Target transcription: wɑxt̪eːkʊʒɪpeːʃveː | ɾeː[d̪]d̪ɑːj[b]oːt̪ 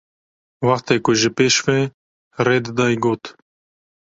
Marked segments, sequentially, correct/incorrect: correct, incorrect: ɡ

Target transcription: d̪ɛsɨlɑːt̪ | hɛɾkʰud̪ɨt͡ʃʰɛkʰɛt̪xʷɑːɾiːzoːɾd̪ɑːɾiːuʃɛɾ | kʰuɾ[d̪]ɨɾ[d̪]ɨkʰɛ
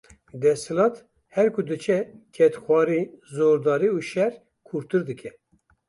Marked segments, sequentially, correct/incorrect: incorrect: t̪, correct

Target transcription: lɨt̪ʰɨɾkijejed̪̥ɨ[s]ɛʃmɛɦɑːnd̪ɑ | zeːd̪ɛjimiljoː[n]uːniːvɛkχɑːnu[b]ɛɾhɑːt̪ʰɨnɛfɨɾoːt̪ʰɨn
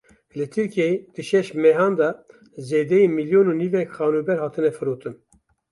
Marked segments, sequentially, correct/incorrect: incorrect: ʃ, correct, correct

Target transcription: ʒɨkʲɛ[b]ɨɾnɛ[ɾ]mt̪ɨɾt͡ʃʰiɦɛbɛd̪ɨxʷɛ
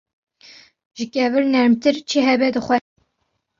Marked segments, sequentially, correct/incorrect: incorrect: v, correct

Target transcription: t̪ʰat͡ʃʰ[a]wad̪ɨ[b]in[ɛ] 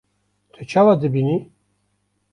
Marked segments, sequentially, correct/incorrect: correct, correct, incorrect: i

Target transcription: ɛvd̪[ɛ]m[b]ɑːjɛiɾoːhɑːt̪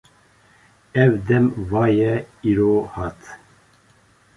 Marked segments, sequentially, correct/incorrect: correct, incorrect: v

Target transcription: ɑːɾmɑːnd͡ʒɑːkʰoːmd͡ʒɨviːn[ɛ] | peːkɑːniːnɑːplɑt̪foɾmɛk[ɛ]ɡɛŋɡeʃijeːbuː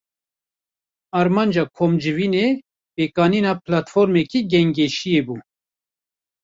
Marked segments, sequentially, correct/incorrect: incorrect: e, incorrect: i

